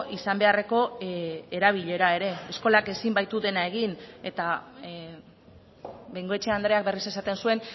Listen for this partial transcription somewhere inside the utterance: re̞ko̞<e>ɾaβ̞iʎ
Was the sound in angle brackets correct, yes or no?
yes